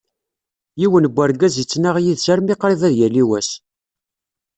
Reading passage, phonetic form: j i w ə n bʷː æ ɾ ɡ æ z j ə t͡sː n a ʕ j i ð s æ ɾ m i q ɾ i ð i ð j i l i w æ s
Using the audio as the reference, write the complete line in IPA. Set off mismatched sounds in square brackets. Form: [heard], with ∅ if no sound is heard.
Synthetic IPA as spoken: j i w ə n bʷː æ ɾ ɡ æ z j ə t͡sː n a [ʁ] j i ð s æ ɾ m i q ɾ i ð [æ] ð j [æ] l i w æ s